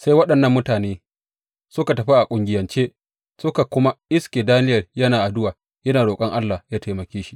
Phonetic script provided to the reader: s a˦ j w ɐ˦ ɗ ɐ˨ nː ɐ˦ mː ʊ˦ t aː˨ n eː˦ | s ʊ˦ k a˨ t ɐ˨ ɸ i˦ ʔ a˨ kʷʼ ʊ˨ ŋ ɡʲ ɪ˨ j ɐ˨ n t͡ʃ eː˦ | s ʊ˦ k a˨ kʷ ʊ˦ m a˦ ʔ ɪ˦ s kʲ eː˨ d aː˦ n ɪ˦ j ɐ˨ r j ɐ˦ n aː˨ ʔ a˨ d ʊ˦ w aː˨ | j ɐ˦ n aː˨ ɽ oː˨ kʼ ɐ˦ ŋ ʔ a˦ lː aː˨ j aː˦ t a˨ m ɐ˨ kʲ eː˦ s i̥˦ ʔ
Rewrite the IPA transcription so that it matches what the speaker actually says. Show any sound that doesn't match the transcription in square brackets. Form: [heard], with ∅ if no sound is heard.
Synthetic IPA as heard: s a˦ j w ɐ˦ ɗ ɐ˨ nː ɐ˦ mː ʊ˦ t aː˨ n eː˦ | s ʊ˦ k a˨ t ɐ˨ ɸ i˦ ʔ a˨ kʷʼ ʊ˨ ŋ ɡʲ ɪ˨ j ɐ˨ n t͡ʃ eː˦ | s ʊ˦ k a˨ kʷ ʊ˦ m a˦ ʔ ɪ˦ s kʲ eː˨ d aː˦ n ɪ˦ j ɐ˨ r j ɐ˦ n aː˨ ʔ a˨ d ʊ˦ w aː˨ | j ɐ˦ n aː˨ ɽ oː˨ kʼ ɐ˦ ŋ ʔ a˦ lː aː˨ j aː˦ t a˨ m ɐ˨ kʲ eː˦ [ʃ] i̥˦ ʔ